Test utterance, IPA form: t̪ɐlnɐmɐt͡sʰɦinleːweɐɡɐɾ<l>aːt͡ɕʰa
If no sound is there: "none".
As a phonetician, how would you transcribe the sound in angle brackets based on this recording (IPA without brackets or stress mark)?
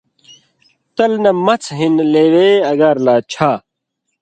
l